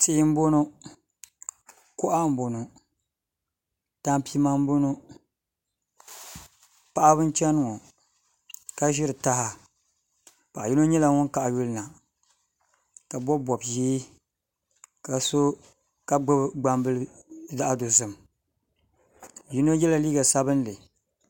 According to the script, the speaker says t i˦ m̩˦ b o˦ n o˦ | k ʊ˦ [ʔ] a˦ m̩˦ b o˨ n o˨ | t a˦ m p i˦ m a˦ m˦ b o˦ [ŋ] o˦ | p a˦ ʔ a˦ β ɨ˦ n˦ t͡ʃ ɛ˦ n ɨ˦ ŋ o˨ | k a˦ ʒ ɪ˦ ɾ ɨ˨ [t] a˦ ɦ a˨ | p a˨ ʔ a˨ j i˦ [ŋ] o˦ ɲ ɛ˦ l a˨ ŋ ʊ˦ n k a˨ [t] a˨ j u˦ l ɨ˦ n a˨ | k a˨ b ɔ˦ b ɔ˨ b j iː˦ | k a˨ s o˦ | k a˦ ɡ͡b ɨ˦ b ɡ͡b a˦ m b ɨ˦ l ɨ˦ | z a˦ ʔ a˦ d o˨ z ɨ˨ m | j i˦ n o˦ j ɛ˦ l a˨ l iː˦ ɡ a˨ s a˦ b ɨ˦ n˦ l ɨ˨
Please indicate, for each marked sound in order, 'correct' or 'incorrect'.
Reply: correct, incorrect, correct, incorrect, incorrect

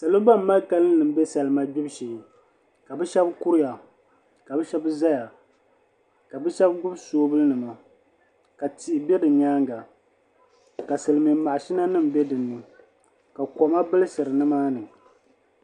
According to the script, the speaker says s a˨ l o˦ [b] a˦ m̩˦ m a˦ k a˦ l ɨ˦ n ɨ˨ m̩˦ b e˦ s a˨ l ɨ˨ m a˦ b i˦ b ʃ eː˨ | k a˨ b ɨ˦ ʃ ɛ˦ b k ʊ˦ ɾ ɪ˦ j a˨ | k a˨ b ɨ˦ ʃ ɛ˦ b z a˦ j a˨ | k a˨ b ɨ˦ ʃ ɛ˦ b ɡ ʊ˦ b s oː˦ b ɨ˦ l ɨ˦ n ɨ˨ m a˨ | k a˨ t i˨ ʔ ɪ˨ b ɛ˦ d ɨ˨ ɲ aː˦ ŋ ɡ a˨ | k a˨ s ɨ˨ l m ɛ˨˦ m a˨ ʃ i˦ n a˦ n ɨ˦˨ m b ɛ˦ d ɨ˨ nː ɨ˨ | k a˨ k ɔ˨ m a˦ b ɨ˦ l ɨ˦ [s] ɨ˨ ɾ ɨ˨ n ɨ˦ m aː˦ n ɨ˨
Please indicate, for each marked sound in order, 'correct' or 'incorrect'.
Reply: correct, correct

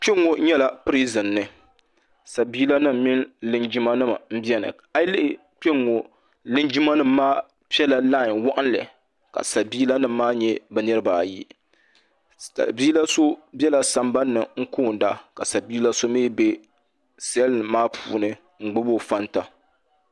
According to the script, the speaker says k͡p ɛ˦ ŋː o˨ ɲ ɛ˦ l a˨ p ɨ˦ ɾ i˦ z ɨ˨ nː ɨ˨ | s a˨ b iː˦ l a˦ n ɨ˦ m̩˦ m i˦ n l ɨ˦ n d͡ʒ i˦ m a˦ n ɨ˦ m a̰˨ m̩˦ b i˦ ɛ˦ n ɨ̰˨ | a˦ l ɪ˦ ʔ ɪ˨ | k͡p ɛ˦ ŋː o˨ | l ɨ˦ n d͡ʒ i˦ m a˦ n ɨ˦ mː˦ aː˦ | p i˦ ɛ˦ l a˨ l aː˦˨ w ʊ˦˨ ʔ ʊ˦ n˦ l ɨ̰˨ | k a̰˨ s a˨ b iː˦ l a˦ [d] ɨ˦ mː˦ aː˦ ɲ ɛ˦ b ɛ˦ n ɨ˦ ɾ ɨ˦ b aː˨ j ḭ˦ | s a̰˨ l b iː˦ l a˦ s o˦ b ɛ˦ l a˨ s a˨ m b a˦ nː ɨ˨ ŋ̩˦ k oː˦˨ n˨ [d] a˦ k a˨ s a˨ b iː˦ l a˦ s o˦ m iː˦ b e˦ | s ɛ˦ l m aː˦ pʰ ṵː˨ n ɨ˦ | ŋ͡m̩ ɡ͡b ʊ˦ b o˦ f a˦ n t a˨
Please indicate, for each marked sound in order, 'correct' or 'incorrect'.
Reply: incorrect, correct

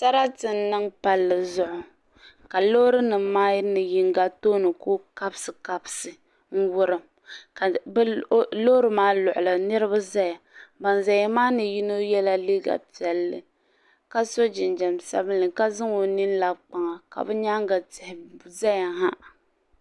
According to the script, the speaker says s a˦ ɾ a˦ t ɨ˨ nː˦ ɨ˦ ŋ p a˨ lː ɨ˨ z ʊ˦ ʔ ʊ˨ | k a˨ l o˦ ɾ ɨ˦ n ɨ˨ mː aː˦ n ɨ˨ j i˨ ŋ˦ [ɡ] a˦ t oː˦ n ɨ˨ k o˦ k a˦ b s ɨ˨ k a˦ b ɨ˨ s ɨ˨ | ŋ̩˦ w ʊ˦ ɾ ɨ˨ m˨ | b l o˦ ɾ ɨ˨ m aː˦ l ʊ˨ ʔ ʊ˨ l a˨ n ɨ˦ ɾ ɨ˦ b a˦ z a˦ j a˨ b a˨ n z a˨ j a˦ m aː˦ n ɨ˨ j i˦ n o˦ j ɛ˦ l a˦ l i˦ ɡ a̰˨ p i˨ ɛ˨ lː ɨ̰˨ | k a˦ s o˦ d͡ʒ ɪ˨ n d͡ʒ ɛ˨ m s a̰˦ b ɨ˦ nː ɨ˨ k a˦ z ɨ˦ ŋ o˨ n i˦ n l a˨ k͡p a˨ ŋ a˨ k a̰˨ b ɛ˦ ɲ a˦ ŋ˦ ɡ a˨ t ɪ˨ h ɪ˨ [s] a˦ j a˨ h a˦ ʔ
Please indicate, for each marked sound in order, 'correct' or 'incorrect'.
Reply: correct, incorrect

